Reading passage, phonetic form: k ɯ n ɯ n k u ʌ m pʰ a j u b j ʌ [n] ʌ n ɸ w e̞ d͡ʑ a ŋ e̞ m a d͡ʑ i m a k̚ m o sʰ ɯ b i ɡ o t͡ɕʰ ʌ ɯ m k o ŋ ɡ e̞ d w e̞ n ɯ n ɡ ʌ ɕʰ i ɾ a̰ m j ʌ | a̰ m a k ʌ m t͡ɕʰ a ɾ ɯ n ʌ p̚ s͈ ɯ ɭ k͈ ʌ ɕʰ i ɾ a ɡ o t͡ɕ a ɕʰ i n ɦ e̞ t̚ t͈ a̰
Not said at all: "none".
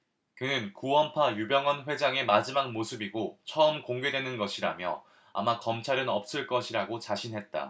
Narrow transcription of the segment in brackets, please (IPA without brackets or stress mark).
ŋ